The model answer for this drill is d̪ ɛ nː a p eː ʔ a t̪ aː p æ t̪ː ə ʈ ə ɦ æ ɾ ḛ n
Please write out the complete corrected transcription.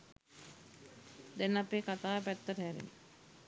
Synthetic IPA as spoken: d̪ ɛ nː a p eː k a t̪ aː p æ t̪ː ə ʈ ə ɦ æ ɾ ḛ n